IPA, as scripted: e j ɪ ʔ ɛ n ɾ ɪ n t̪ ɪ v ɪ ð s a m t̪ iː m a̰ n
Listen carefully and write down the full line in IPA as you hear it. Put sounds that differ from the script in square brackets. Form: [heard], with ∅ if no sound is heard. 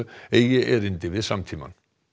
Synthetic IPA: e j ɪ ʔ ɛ [∅] ɾ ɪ n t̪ ɪ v ɪ ð s a m [t̪ʰ] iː m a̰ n